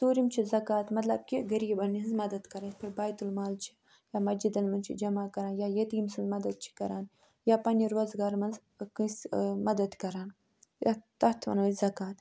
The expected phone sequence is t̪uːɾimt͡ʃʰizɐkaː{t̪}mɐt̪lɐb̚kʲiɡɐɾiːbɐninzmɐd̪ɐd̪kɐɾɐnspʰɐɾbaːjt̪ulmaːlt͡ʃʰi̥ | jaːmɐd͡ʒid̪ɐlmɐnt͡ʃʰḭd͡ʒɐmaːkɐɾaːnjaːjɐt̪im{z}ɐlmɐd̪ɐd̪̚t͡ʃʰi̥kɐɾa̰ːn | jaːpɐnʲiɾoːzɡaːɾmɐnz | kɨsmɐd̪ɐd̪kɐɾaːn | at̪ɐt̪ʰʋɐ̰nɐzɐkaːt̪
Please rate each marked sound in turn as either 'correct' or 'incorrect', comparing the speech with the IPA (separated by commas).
correct, incorrect